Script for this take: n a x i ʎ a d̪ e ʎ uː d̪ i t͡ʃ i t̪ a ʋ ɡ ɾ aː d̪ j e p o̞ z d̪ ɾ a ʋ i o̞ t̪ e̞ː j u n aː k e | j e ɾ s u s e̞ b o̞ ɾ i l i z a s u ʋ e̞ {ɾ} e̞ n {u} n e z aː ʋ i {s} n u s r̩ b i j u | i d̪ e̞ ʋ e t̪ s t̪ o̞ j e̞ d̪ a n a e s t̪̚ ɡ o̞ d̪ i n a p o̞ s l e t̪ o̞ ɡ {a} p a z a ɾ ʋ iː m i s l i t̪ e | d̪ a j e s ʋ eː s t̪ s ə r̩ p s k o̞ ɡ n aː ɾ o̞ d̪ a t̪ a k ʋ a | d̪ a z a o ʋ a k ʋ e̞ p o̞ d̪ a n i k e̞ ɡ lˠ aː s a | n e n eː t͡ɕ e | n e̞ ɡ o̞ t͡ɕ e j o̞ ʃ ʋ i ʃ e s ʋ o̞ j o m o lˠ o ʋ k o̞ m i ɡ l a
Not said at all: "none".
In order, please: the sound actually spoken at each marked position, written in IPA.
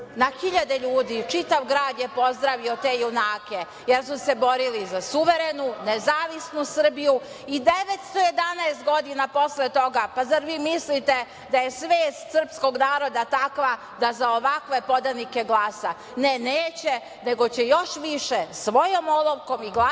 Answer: ɾ, u, s, a

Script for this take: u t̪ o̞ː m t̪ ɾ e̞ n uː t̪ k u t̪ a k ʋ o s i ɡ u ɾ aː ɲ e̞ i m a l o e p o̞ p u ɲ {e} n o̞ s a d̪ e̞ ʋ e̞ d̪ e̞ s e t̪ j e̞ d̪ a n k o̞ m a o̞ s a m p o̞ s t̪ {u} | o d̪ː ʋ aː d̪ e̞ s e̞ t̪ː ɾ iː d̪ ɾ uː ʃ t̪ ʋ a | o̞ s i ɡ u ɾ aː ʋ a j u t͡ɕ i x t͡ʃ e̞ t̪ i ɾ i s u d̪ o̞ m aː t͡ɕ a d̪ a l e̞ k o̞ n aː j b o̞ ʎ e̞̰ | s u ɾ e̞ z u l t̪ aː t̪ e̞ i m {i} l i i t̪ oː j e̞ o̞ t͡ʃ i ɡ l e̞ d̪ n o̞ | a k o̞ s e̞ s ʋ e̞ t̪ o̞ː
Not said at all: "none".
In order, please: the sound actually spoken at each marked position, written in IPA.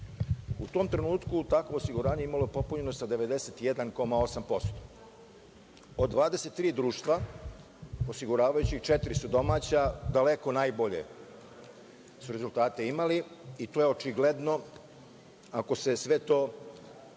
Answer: e, o, a

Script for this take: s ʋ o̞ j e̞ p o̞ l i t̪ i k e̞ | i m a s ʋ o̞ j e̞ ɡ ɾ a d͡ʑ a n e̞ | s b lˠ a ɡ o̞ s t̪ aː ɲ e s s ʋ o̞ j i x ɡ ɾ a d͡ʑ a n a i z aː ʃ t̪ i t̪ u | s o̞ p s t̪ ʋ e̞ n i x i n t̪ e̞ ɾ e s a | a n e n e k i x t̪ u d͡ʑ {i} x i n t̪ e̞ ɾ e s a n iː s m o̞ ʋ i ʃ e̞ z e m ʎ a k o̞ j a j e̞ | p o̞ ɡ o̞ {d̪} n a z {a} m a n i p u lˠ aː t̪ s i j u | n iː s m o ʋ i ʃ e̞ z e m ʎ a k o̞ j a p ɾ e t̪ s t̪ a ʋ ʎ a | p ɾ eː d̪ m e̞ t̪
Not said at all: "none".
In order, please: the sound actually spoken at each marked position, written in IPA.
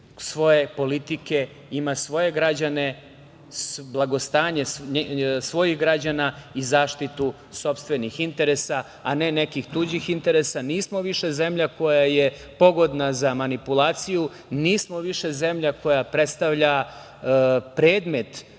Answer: i, d̪, a

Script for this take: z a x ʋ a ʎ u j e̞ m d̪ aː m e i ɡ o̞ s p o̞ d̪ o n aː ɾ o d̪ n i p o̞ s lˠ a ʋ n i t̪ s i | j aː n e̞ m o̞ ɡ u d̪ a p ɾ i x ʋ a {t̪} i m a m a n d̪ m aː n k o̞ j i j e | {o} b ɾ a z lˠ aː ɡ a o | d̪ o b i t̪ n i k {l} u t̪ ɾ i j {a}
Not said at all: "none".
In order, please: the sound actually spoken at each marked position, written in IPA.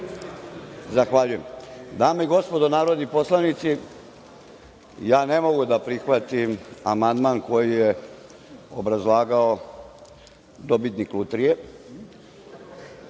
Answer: t̪, o, l, e

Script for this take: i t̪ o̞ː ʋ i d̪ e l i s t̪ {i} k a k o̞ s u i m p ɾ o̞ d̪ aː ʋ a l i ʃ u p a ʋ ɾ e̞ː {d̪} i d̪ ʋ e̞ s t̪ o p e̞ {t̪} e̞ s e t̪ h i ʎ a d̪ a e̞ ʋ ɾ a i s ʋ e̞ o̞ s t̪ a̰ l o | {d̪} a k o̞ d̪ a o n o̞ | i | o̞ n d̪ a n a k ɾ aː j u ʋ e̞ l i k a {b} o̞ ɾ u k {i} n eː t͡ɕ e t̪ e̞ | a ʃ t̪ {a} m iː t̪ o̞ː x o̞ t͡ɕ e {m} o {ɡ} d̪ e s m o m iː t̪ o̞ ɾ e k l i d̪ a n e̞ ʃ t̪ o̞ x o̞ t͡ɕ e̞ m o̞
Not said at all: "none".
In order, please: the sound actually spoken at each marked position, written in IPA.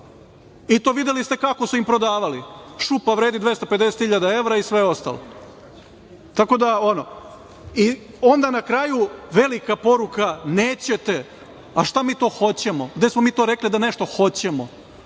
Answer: e, d̪, d̪, t̪, p, a, a, m, ɡ

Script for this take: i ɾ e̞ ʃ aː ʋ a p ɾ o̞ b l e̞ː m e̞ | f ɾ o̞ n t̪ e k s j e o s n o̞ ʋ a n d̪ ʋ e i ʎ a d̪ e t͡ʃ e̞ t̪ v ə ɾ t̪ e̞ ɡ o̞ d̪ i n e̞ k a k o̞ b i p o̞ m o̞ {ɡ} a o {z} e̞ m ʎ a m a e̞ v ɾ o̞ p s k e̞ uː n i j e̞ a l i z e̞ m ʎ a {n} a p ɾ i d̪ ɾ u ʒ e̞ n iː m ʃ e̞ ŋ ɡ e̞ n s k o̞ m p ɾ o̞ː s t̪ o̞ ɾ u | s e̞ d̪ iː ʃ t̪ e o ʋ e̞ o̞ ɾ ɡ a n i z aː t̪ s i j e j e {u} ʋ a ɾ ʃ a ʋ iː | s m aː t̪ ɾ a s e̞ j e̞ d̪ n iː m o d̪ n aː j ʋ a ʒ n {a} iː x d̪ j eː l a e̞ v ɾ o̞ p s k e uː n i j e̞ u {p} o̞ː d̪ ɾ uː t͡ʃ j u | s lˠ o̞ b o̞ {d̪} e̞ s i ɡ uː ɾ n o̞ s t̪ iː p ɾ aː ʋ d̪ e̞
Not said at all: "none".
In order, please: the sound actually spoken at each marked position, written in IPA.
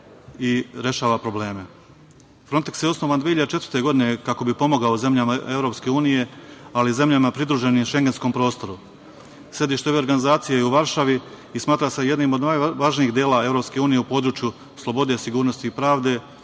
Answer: ɡ, z, m, u, i, p, d̪

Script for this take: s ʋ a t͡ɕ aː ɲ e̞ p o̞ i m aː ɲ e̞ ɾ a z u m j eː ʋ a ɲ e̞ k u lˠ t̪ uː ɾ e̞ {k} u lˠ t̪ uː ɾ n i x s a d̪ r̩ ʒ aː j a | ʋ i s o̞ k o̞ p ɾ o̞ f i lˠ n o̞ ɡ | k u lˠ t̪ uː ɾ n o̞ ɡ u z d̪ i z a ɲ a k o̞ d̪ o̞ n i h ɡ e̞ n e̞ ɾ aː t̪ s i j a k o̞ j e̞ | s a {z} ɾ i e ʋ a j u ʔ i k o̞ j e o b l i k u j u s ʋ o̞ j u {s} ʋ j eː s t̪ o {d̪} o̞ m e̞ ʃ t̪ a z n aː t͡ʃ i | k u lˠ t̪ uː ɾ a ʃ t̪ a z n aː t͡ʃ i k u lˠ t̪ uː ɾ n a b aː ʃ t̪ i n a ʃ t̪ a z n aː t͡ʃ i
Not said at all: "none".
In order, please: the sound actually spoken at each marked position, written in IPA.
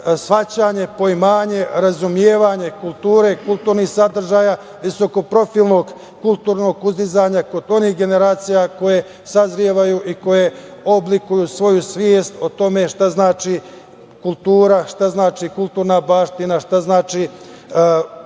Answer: k, z, s, t̪

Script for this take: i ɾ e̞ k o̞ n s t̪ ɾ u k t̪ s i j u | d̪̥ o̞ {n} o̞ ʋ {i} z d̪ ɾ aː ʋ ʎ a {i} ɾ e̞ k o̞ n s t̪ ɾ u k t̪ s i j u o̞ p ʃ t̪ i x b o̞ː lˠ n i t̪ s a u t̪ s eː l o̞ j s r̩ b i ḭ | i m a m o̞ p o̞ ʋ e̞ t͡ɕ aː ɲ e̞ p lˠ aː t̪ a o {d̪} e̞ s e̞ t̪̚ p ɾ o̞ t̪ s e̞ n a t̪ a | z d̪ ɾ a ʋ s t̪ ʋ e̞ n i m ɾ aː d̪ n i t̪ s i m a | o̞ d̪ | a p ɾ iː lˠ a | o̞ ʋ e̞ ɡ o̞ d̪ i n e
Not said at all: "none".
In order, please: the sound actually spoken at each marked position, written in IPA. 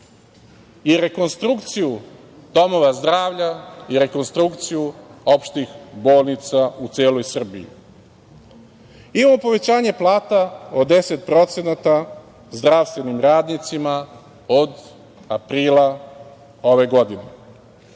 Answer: m, a, i, d̪

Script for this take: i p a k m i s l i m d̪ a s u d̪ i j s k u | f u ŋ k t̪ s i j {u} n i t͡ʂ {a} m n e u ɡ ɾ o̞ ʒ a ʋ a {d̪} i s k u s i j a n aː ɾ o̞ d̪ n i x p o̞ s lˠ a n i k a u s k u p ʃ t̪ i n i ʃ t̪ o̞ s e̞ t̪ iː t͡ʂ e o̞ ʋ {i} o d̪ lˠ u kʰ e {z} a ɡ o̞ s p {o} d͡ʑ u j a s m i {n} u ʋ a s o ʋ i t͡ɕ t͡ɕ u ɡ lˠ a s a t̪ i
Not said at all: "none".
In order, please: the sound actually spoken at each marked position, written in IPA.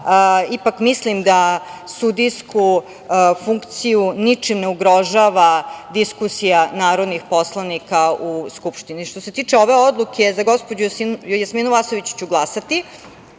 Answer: u, i, d̪, e, z, o, n

